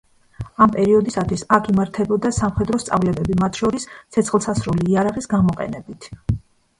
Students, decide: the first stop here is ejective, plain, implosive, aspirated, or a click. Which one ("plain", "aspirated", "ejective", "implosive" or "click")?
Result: ejective